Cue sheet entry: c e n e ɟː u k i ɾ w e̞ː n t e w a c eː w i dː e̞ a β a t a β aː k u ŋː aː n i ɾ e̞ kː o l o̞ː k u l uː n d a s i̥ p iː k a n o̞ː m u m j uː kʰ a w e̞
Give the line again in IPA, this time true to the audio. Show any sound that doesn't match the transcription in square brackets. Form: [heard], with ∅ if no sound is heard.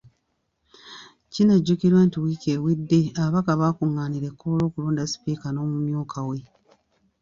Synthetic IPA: c [i] n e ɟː u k i ɾ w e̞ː n t [i] w [i] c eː w i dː e̞ a β a [k] a β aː k u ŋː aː n i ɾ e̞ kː o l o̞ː k u l uː n d a s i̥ p iː k a n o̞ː m u m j uː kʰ a w e̞